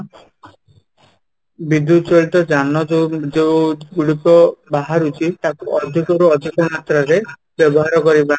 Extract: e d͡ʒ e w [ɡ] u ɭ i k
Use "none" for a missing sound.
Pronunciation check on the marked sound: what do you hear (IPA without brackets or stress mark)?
ɡ